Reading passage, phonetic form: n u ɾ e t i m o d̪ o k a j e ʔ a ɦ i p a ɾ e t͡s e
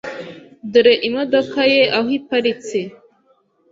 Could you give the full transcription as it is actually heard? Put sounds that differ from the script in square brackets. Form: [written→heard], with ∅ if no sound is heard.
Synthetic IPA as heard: [n→d] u ɾ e [t→ʔ] i m o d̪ o k a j e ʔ a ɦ i p a ɾ [e→i] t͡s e